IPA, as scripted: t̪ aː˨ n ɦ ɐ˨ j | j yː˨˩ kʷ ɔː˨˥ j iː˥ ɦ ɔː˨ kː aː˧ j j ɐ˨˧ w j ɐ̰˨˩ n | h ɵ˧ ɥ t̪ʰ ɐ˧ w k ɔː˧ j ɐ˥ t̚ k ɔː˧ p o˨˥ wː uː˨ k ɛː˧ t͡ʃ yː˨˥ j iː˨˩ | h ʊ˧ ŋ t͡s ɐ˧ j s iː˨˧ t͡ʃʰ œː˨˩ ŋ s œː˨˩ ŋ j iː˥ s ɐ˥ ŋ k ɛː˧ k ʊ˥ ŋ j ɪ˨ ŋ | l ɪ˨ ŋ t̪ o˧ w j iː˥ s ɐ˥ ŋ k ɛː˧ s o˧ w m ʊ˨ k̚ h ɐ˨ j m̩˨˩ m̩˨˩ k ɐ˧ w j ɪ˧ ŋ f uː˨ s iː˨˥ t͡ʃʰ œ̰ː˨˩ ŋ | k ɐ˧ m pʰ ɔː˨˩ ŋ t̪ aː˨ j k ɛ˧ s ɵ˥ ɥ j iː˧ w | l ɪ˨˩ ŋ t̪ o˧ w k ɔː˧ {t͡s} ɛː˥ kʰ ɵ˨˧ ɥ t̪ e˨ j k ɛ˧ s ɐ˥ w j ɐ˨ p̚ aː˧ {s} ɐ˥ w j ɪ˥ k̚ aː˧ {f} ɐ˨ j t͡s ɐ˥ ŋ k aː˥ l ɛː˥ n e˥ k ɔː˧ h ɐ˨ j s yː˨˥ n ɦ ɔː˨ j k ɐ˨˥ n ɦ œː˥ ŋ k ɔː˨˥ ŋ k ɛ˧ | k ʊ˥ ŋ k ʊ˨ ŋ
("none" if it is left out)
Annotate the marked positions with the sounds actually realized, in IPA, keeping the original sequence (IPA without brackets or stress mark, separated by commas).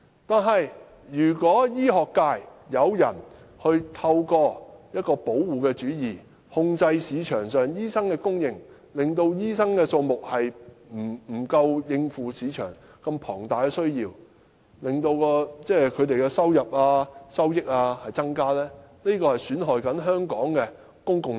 t͡s, s, h